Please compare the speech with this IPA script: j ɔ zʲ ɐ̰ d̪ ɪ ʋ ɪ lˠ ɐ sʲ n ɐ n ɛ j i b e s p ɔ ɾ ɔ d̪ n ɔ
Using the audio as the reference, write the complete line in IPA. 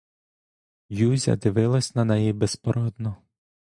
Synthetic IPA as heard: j u zʲ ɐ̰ d̪ ɪ ʋ ɪ lˠ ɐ sʲ n ɐ n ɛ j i b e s p ɔ ɾ ɔ d̪ n ɔ